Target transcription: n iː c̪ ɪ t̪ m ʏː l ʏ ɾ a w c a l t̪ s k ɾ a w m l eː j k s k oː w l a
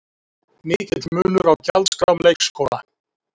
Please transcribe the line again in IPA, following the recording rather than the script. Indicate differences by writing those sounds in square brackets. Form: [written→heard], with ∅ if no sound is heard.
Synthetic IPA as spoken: n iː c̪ ɪ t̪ m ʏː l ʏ ɾ a w c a l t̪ s k ɾ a w m l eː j k s k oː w l a